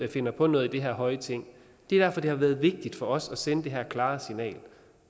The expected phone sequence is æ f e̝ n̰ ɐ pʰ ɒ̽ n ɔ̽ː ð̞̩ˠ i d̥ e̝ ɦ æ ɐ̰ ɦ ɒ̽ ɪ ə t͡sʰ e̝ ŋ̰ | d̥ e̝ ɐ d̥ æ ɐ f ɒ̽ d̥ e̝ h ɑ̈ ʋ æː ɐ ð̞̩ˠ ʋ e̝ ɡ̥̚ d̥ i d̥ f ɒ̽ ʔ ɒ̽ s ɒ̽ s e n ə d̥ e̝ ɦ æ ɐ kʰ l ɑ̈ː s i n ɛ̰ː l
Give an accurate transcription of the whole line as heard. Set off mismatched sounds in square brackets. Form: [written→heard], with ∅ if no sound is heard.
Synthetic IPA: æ f e̝ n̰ ɐ pʰ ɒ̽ n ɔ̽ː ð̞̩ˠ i d̥ e̝ ɦ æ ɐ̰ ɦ ɒ̽ ɪ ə t͡sʰ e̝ ŋ̰ | d̥ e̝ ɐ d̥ æ ɐ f ɒ̽ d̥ e̝ h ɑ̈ ʋ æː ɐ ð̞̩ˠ ʋ e̝ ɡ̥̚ d̥ i d̥ f ɒ̽ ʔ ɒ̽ s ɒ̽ s e n ə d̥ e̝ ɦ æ ɐ kʰ l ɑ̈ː s i n ɛ̰ː l